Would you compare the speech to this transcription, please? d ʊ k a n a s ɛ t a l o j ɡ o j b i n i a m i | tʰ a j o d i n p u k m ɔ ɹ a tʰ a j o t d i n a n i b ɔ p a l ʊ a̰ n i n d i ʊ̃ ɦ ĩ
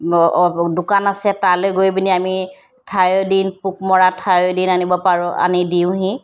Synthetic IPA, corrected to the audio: d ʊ k a n a s ɛ t a l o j ɡ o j b i n i a m i | tʰ a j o d i n p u k m ɔ ɹ a tʰ a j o d i n a n i b ɔ p a ɹ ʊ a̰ n i d i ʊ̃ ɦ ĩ

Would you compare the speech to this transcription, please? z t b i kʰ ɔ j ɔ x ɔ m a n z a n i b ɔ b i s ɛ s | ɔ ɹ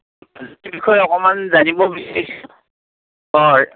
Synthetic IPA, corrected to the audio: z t b i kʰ ɔ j ɔ k ɔ m a n z a n i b ɔ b i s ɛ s | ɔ ɹ

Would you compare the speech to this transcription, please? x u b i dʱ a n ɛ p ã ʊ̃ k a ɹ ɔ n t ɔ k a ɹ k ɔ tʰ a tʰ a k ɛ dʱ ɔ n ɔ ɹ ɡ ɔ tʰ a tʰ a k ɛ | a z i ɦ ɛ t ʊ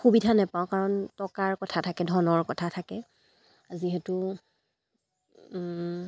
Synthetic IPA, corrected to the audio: x u b i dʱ a n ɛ p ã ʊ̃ k a ɹ ɔ n t ɔ k a ɹ k ɔ tʰ a tʰ a k ɛ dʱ ɔ n ɔ ɹ k ɔ tʰ a tʰ a k ɛ | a z i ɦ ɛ t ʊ

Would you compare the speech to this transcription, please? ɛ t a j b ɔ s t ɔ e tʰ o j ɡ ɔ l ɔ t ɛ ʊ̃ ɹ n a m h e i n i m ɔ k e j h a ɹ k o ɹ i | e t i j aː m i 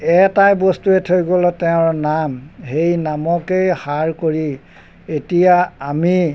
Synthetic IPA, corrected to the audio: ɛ t a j b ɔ s t u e tʰ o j ɡ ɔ l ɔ t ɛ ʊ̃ ɹ n a m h e j n a m ɔ k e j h a ɹ k o ɹ i | e t i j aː m i

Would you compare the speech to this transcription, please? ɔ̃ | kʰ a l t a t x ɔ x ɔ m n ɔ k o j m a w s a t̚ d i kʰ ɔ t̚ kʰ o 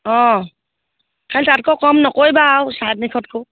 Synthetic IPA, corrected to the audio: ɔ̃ | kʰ a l t a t k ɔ k ɔ m n ɔ k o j b a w s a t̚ n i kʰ ɔ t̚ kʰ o

